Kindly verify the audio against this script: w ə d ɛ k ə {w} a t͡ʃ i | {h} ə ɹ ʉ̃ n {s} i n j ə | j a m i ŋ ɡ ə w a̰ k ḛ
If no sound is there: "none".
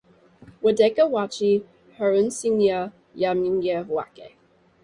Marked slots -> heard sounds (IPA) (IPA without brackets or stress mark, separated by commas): w, h, s